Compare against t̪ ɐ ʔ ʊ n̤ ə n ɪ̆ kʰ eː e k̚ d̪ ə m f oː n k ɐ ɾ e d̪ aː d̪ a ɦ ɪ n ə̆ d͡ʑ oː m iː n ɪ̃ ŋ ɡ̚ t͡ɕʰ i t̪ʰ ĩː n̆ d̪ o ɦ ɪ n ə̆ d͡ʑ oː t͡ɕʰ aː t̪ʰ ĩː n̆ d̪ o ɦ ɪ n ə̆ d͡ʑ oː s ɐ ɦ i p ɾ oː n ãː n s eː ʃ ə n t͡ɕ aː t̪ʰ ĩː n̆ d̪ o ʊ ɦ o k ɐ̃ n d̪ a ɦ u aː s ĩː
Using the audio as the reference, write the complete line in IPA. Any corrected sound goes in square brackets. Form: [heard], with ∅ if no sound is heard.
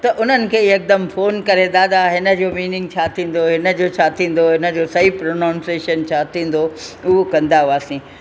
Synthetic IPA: t̪ ɐ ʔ ʊ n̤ ə n ɪ̆ kʰ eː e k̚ d̪ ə m f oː n k ɐ ɾ e d̪ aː d̪ a ɦ ɪ n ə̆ d͡ʑ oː m iː n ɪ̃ ŋ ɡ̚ t͡ɕʰ [a] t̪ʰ ĩː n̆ d̪ o ɦ ɪ n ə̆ d͡ʑ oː t͡ɕʰ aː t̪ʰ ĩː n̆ d̪ o ɦ ɪ n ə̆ d͡ʑ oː s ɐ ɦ i p ɾ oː n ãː n s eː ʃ ə n [t͡ɕʰ] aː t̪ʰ ĩː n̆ d̪ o ʊ ɦ o k ɐ̃ n d̪ a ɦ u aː s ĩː

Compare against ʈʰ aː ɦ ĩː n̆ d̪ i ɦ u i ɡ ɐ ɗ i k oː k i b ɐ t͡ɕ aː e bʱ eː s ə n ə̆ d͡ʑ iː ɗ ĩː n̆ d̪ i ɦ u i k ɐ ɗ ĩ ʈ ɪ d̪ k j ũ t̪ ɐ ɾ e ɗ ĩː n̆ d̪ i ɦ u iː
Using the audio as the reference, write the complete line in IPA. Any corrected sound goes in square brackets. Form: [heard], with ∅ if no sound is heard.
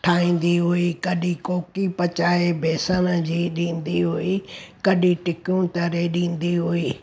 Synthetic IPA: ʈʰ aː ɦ ĩː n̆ d̪ i ɦ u i [k] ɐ ɗ i k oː k i [p] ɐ t͡ɕ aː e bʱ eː s ə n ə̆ d͡ʑ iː ɗ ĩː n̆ d̪ i ɦ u i k ɐ ɗ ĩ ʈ ɪ [∅] k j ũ t̪ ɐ ɾ e ɗ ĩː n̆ d̪ i ɦ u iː

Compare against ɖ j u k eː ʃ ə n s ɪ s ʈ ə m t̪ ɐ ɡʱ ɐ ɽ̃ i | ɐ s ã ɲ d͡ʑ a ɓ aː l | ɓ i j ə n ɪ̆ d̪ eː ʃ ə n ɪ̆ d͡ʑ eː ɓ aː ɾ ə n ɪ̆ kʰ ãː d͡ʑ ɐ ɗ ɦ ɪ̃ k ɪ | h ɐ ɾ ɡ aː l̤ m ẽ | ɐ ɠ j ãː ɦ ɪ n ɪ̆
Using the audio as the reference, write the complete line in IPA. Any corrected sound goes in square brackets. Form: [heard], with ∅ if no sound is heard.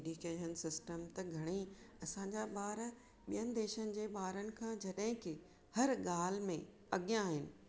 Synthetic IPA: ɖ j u k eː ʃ ə n s ɪ s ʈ ə m t̪ ɐ ɡʱ ɐ ɽ̃ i | ɐ s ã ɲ d͡ʑ a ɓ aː [ɾ] | ɓ i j ə n ɪ̆ d̪ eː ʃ ə n ɪ̆ d͡ʑ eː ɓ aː ɾ ə n ɪ̆ kʰ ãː d͡ʑ ɐ ɗ ɦ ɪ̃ k ɪ | h ɐ ɾ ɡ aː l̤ m ẽ | ɐ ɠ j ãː ɦ ɪ n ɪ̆

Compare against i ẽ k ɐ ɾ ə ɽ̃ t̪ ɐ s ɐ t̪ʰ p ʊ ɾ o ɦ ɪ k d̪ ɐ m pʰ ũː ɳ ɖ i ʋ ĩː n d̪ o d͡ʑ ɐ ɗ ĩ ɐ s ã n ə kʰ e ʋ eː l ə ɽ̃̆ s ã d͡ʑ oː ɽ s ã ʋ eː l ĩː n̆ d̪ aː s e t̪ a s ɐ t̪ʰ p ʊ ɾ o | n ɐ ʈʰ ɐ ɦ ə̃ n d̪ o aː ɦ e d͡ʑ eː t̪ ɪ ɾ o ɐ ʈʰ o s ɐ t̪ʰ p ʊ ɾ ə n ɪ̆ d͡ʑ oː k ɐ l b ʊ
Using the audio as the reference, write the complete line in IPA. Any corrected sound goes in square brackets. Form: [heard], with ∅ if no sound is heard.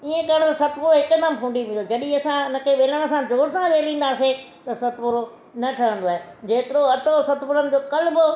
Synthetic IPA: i ẽ k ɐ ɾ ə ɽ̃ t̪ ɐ s ɐ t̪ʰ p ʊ ɾ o ɦ ɪ k d̪ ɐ m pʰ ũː ɳ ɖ i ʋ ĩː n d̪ o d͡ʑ ɐ ɗ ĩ ɐ s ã n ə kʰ e ʋ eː l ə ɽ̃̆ s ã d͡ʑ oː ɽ s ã ʋ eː l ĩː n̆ d̪ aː s e t̪ [ɐ] s ɐ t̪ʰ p ʊ ɾ o | n ɐ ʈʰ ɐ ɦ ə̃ n d̪ o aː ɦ e d͡ʑ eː t̪ ɪ ɾ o ɐ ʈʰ o s ɐ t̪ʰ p ʊ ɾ ə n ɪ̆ d͡ʑ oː k ɐ l b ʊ

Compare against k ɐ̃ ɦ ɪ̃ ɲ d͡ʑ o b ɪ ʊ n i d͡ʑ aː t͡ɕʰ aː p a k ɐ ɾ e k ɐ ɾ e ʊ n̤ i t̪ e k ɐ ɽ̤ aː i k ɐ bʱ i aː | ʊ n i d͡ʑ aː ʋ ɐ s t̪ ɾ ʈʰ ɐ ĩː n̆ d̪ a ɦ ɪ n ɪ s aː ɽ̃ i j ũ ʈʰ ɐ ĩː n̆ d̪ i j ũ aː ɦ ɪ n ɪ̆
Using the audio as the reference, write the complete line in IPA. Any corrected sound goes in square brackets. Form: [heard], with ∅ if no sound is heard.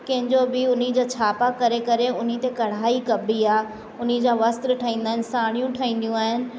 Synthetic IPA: k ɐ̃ ɦ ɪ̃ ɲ d͡ʑ o b ɪ ʊ n i d͡ʑ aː t͡ɕʰ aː p a k ɐ ɾ e k ɐ ɾ e ʊ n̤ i t̪ e k ɐ ɽ̤ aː i k ɐ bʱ i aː | ʊ n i d͡ʑ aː ʋ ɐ s t̪ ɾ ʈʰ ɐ ĩː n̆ d̪ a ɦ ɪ n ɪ s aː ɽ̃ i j ũ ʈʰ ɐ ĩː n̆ d̪ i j ũ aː ɦ ɪ n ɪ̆

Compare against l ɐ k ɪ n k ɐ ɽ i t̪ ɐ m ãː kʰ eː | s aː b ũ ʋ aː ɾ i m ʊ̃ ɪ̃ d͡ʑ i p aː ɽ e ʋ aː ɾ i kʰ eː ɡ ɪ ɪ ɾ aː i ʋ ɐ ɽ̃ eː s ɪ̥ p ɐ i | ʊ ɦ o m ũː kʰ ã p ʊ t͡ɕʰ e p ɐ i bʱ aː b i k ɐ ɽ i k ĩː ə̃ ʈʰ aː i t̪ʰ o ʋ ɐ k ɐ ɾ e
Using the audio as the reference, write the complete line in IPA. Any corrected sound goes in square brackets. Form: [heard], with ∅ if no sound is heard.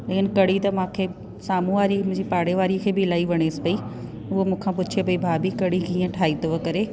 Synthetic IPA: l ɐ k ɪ n k ɐ ɽ i t̪ ɐ m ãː kʰ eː | s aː [m] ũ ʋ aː ɾ i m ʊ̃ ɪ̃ d͡ʑ i p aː ɽ e ʋ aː ɾ i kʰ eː [b] ɪ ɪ [l] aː i ʋ ɐ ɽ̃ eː s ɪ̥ p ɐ i | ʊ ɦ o m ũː kʰ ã p ʊ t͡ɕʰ e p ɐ i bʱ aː b i k ɐ ɽ i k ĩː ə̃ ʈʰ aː i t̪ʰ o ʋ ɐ k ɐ ɾ e

